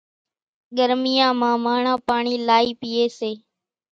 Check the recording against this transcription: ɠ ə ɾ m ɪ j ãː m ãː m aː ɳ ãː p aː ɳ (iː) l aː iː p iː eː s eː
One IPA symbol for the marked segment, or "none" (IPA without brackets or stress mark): iː